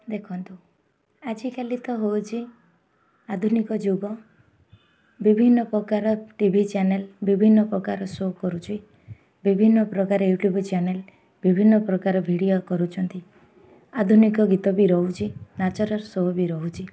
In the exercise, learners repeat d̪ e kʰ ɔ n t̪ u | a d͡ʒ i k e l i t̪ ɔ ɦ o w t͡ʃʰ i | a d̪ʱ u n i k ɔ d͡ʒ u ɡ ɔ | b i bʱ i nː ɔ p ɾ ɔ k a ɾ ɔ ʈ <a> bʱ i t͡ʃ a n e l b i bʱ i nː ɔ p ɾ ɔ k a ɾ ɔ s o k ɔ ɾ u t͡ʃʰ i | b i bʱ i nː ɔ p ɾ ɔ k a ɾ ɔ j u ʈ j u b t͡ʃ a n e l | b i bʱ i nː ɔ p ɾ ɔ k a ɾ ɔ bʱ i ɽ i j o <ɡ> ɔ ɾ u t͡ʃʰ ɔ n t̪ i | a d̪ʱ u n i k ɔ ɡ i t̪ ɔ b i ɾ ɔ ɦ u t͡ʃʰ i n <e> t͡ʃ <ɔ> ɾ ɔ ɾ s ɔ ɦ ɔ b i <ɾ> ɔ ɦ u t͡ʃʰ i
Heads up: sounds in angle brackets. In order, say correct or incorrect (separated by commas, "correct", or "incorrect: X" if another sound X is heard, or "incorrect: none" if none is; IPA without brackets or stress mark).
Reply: incorrect: i, incorrect: k, incorrect: a, correct, correct